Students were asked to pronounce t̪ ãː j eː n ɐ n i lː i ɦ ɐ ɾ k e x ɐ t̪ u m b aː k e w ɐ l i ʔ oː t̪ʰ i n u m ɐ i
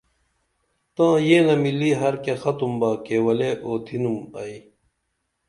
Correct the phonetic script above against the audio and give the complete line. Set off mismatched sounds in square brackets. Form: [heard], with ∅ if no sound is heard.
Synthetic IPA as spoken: t̪ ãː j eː n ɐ [m] i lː i ɦ ɐ ɾ k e x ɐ t̪ u m b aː k e w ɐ l [e] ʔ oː t̪ʰ i n u m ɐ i

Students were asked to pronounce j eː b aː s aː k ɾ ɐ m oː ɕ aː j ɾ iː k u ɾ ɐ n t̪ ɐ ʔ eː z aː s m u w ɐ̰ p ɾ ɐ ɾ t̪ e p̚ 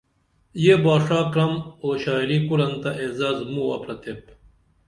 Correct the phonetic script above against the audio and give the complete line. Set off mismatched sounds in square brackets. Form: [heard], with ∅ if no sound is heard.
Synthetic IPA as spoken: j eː b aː [ʂ] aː k ɾ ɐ m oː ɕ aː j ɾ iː k u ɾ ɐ n t̪ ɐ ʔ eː z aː [z] m u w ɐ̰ p ɾ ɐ [∅] t̪ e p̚

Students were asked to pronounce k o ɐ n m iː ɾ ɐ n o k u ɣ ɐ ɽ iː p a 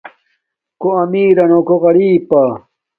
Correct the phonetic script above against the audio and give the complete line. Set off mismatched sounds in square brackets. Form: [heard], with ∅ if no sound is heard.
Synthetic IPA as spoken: k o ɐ [∅] m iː ɾ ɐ n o k [o] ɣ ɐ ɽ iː p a

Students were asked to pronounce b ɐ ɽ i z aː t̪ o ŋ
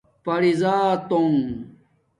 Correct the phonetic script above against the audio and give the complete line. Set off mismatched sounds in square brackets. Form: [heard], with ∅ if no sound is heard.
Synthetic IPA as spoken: [p] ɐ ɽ i z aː t̪ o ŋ

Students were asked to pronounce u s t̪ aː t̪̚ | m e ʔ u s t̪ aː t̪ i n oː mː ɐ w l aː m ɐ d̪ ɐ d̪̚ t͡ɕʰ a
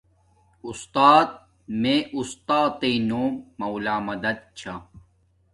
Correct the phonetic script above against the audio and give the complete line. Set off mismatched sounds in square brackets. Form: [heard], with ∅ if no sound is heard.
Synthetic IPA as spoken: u s t̪ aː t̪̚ | m e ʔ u s t̪ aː t̪ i n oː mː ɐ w l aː m ɐ d̪ ɐ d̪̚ t͡ɕʰ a

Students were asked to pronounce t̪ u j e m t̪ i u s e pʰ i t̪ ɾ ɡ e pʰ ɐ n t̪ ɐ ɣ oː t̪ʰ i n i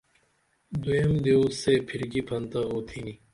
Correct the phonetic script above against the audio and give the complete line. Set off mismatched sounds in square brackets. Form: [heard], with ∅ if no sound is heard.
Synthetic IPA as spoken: [d̪] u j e m [d̪] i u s e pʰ i [∅] ɾ ɡ [i] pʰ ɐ n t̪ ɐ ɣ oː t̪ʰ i n i

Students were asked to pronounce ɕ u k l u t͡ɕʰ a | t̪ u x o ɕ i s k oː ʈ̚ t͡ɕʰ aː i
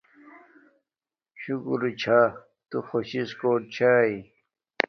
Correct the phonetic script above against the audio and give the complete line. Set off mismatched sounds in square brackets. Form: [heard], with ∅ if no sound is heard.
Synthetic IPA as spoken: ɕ u k [ɾ] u t͡ɕʰ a | t̪ u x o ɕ i s k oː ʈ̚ t͡ɕʰ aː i

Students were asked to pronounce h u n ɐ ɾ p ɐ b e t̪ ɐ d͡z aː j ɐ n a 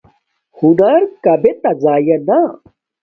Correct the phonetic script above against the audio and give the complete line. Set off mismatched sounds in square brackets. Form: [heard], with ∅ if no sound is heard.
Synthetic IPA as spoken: h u n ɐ ɾ [k] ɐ b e t̪ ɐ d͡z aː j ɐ n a

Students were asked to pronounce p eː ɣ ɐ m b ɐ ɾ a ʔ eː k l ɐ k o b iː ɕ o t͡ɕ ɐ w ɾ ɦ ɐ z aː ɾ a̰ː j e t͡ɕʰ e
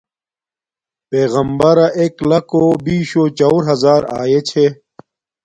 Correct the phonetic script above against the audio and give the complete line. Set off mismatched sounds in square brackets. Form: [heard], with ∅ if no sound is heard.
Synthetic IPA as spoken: p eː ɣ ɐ m b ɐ ɾ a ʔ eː k l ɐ k o b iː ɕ o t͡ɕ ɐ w ɾ ɦ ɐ z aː ɾ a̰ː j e t͡ɕʰ e

